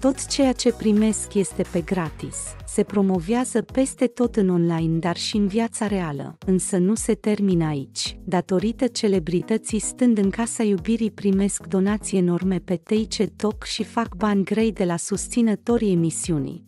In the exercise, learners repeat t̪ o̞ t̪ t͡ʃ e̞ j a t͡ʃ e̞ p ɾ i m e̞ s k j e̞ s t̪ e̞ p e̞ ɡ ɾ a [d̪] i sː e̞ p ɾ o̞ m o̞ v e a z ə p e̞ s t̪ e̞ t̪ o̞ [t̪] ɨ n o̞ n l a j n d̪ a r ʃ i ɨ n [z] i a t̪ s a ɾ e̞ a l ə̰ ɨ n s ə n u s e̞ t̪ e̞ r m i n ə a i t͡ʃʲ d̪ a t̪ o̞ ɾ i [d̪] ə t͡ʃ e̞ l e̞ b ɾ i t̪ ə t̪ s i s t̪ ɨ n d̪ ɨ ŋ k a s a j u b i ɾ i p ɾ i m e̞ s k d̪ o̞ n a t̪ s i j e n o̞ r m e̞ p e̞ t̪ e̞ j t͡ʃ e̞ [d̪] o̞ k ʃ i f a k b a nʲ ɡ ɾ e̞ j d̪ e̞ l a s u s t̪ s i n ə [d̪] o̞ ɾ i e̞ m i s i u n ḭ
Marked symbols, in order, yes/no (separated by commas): no, yes, no, no, no, no